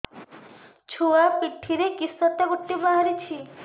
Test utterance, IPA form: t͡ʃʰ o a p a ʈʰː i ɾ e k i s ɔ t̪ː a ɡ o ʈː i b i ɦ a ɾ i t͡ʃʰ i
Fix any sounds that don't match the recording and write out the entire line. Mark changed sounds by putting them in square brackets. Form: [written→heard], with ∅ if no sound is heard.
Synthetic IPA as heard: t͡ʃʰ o a p [a→i] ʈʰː i ɾ e k i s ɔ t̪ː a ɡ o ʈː i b [i→a] ɦ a ɾ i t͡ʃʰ i